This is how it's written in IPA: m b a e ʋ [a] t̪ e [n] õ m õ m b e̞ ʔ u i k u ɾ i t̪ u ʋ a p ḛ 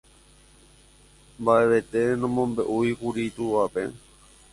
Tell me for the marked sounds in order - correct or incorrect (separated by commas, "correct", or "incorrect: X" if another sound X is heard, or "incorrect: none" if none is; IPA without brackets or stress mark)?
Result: incorrect: e, correct